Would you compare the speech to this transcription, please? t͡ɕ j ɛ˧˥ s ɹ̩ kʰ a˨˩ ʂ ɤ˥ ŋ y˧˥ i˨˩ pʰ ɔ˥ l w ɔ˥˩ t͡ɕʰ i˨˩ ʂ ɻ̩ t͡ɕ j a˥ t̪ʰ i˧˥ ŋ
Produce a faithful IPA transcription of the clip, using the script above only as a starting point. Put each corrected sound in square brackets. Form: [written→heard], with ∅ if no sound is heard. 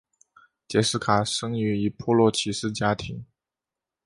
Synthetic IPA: t͡ɕ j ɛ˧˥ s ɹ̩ kʰ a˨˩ ʂ ɤ˥ ŋ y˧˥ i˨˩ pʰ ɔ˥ l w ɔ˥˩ t͡ɕʰ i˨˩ ʂ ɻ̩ t͡ɕ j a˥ t̪ʰ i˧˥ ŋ